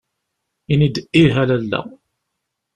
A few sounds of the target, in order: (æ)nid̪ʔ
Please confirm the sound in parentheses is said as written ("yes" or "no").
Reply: no